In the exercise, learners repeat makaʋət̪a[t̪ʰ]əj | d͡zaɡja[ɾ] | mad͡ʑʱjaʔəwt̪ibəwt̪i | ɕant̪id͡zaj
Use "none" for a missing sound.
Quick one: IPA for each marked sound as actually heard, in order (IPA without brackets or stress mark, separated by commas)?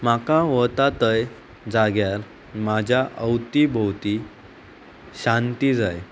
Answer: t̪, ɾ